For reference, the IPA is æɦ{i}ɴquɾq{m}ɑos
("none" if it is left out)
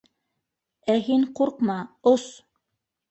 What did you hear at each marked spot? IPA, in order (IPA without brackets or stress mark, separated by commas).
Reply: i, m